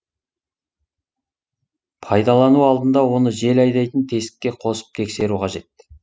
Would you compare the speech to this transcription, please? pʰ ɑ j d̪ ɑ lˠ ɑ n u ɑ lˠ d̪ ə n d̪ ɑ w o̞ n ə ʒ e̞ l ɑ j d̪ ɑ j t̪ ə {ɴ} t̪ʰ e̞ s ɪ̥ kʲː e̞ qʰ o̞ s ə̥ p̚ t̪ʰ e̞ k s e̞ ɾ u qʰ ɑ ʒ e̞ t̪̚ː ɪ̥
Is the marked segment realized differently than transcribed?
yes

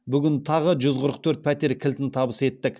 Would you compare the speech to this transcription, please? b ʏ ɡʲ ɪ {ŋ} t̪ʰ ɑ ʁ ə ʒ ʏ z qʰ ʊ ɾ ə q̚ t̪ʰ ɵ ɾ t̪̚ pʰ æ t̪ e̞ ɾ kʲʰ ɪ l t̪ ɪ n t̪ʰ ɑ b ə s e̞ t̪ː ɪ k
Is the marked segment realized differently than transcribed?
yes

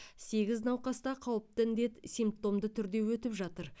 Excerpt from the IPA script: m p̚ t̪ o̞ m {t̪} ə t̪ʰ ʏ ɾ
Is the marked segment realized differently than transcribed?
yes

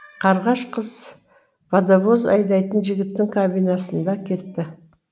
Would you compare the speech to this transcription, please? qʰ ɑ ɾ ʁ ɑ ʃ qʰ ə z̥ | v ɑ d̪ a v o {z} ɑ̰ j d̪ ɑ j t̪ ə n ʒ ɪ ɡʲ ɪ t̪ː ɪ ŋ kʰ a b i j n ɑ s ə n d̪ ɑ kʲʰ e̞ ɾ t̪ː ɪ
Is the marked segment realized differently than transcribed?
no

